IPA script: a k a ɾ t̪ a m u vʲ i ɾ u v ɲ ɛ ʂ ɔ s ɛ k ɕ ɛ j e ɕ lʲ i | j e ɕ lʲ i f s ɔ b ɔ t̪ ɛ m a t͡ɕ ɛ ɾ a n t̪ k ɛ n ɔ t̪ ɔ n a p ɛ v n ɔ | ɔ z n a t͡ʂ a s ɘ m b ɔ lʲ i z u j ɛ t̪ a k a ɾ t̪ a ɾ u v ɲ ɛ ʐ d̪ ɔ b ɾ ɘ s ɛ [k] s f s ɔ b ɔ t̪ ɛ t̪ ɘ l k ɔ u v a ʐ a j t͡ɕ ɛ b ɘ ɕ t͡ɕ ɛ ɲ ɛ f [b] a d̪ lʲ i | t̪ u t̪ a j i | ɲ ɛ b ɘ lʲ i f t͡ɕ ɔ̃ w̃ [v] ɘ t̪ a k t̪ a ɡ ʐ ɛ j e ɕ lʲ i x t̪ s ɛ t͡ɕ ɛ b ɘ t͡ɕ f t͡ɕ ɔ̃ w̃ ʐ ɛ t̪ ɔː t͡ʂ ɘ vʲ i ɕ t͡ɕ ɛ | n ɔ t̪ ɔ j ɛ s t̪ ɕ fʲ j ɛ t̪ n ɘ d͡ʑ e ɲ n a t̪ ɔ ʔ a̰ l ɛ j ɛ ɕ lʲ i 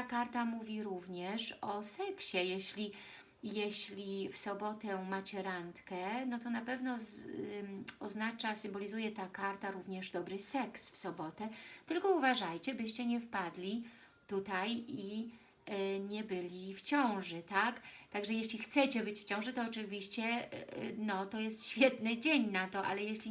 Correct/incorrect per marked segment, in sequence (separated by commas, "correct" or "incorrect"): correct, incorrect, incorrect